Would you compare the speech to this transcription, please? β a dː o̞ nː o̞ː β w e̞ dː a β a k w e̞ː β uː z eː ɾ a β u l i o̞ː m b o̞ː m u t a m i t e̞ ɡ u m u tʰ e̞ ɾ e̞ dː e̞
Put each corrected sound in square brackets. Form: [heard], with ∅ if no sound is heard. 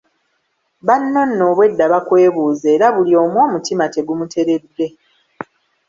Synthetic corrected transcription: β a [nː] o̞ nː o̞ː β w e̞ dː a β a k w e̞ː β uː z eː ɾ a β u l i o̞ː m [w] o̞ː m u t [i] m [a] t e̞ ɡ u m u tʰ e̞ ɾ e̞ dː e̞